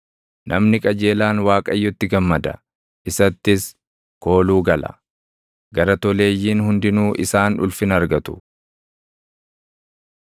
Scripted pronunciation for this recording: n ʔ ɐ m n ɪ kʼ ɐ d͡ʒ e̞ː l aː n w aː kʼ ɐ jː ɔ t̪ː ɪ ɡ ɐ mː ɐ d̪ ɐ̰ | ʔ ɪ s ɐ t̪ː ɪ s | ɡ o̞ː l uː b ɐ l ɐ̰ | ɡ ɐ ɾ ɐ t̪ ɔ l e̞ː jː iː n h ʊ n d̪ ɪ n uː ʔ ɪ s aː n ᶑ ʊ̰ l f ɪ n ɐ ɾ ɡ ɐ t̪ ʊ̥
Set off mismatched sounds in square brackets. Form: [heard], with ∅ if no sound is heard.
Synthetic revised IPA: n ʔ ɐ m n ɪ kʼ ɐ d͡ʒ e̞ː l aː n w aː kʼ ɐ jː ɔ t̪ː ɪ ɡ ɐ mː ɐ d̪ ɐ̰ | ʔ ɪ s ɐ t̪ː ɪ s | [k] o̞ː l uː [ɡ] ɐ l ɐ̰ | ɡ ɐ ɾ ɐ t̪ ɔ l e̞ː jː iː n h ʊ n d̪ ɪ n uː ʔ ɪ s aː n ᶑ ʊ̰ l f ɪ n ɐ ɾ ɡ ɐ t̪ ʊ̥